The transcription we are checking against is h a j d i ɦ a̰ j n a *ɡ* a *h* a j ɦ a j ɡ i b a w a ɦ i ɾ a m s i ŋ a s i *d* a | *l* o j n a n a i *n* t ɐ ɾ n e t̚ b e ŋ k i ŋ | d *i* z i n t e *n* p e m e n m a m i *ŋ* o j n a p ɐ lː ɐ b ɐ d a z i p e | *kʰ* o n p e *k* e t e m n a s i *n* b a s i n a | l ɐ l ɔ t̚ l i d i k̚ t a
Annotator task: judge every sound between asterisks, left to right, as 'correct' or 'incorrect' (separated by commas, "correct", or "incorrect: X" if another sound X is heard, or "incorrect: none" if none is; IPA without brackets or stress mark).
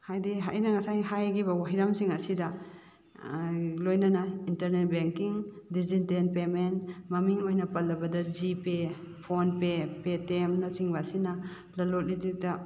incorrect: ŋ, incorrect: s, correct, correct, correct, correct, correct, correct, incorrect: pʰ, incorrect: p, incorrect: ŋ